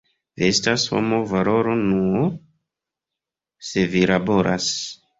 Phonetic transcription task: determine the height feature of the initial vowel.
high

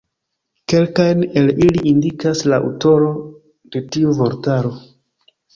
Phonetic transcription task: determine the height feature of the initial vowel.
mid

